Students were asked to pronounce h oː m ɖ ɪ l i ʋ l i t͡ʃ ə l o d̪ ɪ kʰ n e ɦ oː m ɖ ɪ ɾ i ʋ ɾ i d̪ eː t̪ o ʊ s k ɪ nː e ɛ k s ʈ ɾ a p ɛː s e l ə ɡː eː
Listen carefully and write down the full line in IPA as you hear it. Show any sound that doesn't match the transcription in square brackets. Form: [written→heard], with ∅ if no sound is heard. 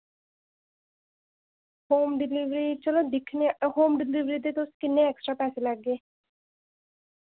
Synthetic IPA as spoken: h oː m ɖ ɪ l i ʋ [l→ɾ] i t͡ʃ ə l o d̪ ɪ kʰ n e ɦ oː m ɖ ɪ [ɾ→l] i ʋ ɾ i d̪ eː t̪ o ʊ s k ɪ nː e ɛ k s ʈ ɾ a p ɛː s e l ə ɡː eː

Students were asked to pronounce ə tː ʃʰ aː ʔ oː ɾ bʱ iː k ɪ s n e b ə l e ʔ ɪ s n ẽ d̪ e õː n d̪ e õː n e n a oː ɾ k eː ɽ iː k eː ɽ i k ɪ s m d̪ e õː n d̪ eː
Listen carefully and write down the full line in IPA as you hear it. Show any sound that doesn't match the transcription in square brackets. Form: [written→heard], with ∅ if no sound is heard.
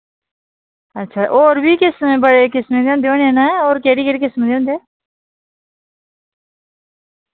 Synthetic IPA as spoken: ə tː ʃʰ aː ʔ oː ɾ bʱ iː k ɪ s [n→m] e b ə [l→ɽ] e [ʔ→k] ɪ s [n→m] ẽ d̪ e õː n d̪ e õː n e n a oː ɾ k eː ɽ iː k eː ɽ i k ɪ s m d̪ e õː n d̪ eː

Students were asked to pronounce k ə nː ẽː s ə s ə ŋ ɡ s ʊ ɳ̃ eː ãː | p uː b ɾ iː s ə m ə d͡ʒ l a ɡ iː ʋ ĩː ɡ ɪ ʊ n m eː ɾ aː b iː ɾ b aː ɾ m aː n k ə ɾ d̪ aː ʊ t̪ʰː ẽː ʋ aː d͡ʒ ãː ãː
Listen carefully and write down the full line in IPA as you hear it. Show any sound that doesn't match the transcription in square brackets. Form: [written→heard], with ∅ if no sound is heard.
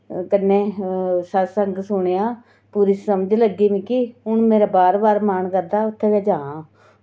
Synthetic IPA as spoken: k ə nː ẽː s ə s ə ŋ ɡ s ʊ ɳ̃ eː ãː | p uː [b→∅] ɾ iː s ə m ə d͡ʒ l [a→ə] ɡ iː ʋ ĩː [ɡ→k] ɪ ʊ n m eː ɾ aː b [iː→aː] ɾ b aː ɾ m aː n k ə ɾ d̪ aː ʊ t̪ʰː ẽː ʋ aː d͡ʒ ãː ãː

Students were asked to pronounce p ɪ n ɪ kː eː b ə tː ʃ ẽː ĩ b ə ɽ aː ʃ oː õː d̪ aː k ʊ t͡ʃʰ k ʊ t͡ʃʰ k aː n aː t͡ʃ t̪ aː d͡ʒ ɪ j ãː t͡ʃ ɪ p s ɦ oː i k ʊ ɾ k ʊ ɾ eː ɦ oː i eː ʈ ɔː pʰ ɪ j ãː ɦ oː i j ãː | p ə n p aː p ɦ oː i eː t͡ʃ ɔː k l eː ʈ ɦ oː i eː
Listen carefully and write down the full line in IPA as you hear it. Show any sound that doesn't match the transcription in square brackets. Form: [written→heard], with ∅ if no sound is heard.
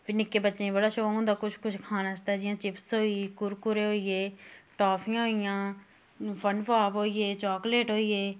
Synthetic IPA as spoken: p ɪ n ɪ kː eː b ə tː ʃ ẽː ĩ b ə ɽ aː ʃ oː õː d̪ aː k ʊ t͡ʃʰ k ʊ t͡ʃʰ [k→kʰ] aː n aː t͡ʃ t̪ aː d͡ʒ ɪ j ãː t͡ʃ ɪ p s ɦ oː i k ʊ ɾ k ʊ ɾ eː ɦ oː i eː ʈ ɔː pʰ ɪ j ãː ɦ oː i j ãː | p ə n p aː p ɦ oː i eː t͡ʃ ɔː k l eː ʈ ɦ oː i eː

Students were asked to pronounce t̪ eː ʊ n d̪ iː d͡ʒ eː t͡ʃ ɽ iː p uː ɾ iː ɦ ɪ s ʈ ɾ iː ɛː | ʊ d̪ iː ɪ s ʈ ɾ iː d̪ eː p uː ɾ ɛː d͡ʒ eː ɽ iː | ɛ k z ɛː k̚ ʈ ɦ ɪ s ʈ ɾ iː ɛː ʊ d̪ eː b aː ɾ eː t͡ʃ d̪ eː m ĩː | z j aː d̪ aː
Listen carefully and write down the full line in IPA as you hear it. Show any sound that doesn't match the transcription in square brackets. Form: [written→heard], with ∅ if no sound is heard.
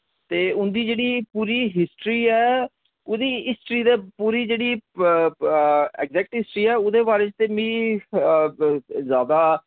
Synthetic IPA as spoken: t̪ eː ʊ n d̪ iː d͡ʒ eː [t͡ʃ→∅] ɽ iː p uː ɾ iː ɦ ɪ s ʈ ɾ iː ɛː | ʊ d̪ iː ɪ s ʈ ɾ iː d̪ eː p uː ɾ [ɛː→iː] d͡ʒ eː ɽ iː | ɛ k z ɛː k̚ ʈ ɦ ɪ s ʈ ɾ iː ɛː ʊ d̪ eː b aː ɾ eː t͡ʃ [d̪→t̪] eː m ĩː | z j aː d̪ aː

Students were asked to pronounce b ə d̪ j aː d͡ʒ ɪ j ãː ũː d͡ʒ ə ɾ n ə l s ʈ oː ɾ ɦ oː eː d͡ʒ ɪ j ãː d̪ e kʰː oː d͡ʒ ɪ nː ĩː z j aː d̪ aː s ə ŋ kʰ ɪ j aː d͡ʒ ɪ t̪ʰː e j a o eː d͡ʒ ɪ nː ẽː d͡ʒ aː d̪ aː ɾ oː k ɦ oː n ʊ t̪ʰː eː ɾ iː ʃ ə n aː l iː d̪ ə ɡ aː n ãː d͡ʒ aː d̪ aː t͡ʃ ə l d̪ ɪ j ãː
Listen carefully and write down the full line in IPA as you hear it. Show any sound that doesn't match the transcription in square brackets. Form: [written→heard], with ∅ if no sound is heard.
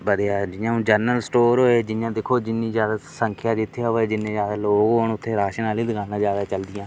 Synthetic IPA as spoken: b ə d̪ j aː d͡ʒ ɪ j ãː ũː d͡ʒ ə ɾ n ə l s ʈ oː ɾ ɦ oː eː d͡ʒ ɪ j ãː d̪ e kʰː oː d͡ʒ ɪ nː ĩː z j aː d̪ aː s ə ŋ kʰ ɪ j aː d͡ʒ ɪ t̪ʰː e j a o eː d͡ʒ ɪ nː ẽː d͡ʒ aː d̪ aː [ɾ→l] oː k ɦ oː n ʊ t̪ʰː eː ɾ [iː→aː] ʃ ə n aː l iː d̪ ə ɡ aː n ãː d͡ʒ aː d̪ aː t͡ʃ ə l d̪ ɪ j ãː

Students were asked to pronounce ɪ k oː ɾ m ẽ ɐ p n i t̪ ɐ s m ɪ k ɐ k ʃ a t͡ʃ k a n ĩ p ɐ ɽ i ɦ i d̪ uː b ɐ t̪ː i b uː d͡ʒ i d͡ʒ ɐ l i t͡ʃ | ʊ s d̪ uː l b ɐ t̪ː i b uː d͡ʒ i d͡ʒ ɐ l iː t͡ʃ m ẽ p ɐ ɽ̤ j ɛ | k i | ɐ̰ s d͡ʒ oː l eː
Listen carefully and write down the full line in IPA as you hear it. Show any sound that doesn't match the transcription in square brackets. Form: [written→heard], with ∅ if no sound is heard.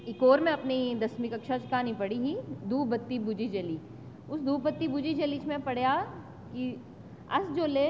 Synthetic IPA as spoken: ɪ k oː ɾ m ẽ ɐ p n i [t̪→d̪] ɐ s m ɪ k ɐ k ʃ a t͡ʃ k a n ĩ p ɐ ɽ i ɦ i d̪ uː b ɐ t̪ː i b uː d͡ʒ i d͡ʒ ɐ l i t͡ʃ | ʊ s d̪ uː [l→∅] b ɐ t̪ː i b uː d͡ʒ i d͡ʒ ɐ l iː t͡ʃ m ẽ p ɐ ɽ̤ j [ɛ→a] | k i | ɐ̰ s d͡ʒ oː l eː

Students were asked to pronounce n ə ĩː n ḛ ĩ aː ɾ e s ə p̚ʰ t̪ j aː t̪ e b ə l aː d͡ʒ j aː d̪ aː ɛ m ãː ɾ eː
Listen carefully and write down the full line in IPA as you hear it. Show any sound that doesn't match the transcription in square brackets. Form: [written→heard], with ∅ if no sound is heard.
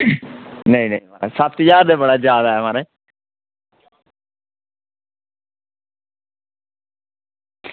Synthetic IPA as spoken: n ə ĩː n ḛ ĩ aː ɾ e s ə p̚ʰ t̪ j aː [t̪→d̪] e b ə [l→ɽ] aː d͡ʒ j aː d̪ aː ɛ m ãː ɾ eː

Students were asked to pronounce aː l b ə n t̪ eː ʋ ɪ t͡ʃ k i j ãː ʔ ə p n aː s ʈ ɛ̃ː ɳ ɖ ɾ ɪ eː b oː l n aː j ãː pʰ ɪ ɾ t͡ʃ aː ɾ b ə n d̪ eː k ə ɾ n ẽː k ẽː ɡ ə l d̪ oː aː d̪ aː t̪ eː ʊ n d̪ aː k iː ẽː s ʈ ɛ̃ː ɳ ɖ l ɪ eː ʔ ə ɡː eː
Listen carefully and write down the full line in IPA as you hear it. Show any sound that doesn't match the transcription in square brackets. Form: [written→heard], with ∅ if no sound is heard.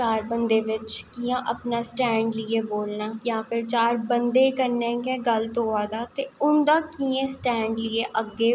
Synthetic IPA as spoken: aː [l→ɾ] b ə n [t̪→d̪] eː ʋ ɪ t͡ʃ k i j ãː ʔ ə p n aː s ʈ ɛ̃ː ɳ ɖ [ɾ→l] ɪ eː b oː l n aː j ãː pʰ ɪ ɾ t͡ʃ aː ɾ b ə n d̪ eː k ə ɾ n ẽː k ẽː ɡ ə l [d̪→t̪] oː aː d̪ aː t̪ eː ʊ n d̪ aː k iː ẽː s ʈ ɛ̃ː ɳ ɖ l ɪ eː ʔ ə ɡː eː

